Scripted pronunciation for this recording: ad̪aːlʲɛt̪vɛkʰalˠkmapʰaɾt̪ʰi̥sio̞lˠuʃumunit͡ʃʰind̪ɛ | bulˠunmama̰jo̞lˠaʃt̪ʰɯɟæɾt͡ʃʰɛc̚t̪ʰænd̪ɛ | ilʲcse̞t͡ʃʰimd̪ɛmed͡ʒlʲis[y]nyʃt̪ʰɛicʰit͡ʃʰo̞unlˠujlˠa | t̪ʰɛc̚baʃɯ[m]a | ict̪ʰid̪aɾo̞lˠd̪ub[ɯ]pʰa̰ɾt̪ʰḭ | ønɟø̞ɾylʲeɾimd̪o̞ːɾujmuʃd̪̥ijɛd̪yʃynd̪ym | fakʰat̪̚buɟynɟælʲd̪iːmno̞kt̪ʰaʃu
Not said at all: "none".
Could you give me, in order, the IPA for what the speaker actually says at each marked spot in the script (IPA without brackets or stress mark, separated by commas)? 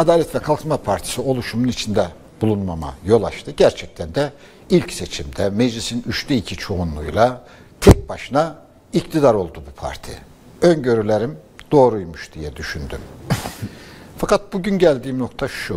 i, n, u